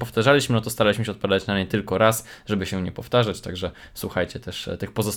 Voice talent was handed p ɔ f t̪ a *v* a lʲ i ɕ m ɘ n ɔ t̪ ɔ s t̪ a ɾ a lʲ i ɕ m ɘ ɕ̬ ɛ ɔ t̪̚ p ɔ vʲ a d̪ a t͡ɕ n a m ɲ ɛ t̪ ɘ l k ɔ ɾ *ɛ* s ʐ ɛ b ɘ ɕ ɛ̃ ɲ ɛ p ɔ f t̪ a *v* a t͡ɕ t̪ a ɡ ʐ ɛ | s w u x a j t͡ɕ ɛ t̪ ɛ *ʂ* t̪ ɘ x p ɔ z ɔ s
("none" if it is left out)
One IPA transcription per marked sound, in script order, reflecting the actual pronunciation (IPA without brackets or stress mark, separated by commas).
ʐ, a, ʐ, ʂ